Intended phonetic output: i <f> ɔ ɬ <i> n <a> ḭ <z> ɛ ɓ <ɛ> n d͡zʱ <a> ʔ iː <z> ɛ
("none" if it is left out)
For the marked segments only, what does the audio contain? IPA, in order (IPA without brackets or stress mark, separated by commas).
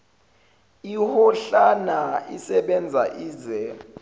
h, a, a, s, ɛ, a, z